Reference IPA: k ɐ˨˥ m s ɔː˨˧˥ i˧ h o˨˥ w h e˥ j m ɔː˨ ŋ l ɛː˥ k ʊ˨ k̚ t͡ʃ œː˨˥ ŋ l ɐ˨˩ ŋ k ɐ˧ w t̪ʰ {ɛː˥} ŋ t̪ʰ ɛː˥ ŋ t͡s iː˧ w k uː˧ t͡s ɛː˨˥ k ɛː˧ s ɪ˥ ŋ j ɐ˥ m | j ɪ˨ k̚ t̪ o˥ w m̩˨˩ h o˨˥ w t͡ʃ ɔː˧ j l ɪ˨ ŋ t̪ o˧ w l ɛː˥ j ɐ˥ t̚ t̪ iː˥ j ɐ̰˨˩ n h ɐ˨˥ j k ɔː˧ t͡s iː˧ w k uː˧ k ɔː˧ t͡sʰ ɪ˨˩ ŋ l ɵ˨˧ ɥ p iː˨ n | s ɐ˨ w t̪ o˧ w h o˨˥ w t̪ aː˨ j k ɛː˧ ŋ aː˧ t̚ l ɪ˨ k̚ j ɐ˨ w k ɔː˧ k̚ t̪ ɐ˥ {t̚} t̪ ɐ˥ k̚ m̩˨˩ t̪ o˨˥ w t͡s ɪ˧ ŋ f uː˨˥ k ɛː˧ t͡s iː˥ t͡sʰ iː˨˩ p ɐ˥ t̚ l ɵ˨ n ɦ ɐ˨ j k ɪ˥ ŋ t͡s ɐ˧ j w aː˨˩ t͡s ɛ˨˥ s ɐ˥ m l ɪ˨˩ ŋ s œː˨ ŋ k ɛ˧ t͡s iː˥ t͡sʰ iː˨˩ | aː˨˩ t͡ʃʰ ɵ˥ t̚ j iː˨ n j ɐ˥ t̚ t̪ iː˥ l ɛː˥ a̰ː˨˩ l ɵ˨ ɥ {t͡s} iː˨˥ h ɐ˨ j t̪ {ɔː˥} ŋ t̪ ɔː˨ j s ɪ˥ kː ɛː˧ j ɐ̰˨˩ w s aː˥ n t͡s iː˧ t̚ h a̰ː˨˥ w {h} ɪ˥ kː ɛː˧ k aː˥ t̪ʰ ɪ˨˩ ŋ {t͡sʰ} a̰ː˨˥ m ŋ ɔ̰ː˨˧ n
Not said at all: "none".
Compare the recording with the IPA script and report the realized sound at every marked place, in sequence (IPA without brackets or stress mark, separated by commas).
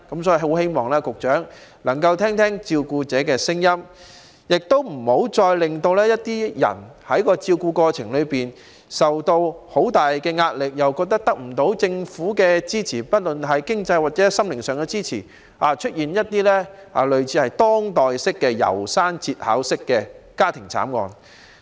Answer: ɛː˥, k̚, t͡sʰ, ɔː˥, s, t͡sʰ